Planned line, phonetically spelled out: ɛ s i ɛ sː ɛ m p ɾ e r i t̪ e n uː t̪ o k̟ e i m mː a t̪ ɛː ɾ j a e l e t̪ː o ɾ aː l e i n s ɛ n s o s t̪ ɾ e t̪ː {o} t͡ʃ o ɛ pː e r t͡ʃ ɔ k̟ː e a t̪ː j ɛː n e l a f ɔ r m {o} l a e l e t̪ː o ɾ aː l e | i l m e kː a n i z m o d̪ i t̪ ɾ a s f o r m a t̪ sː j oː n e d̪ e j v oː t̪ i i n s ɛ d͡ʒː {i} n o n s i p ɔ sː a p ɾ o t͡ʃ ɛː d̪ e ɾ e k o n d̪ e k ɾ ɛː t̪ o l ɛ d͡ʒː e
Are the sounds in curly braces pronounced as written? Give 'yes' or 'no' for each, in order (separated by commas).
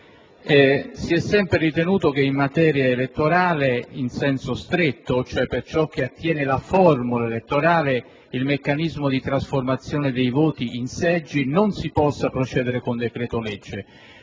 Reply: yes, no, yes